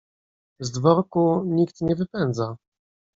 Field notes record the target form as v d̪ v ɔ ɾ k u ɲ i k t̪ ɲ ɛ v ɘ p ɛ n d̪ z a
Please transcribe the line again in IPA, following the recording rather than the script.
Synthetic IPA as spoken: z d̪ v ɔ ɾ k u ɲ i k t̪ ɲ ɛ v ɘ p ɛ n d̪ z a